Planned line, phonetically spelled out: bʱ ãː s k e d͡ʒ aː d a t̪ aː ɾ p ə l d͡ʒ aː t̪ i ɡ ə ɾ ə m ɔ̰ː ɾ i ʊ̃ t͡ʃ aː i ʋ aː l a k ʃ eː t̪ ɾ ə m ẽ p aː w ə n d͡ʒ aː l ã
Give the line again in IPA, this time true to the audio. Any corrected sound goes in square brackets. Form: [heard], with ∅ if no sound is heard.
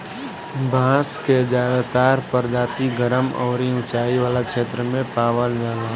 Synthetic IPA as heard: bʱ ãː s k e d͡ʒ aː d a t̪ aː ɾ p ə [ɾ] d͡ʒ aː t̪ i ɡ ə ɾ ə m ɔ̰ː ɾ i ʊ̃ t͡ʃ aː i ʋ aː l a k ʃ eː t̪ ɾ ə m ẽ p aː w ə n d͡ʒ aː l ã